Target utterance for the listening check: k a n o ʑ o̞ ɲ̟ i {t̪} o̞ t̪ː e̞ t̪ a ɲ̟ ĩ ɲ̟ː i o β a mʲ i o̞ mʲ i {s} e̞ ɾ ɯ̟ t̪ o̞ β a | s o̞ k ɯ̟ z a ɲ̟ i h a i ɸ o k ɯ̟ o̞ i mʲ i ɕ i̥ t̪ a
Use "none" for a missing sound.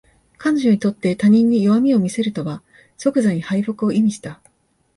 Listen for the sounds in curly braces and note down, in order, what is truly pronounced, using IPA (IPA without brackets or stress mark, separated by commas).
t̪, s